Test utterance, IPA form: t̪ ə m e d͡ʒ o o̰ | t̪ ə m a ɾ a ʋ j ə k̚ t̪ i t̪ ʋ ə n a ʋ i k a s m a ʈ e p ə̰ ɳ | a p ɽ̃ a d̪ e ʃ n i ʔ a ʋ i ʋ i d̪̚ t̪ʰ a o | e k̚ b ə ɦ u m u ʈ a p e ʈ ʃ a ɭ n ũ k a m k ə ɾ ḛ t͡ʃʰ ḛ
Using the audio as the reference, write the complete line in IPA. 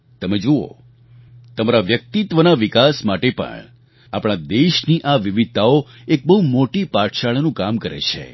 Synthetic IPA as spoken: t̪ ə m e d͡ʒ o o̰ | t̪ ə m a ɾ a ʋ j ə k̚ t̪ i t̪ ʋ ə n a ʋ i k a s m a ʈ e p ə̰ ɳ | a p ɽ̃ a d̪ e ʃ n i ʔ a ʋ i ʋ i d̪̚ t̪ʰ a o | e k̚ b ə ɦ u m o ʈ i p a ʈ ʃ a ɭ n ũ k a m k ə ɾ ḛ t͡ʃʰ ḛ